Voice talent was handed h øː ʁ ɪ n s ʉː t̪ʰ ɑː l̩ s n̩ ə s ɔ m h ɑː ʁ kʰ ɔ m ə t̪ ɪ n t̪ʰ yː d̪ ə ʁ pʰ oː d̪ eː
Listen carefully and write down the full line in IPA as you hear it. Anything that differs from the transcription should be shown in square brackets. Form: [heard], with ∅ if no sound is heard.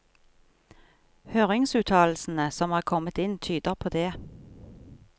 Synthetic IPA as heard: h øː ʁ ɪ [ŋ] s ʉː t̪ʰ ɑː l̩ s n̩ ə s ɔ m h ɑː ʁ kʰ ɔ m ə t̪ ɪ n t̪ʰ yː d̪ ə ʁ pʰ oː d̪ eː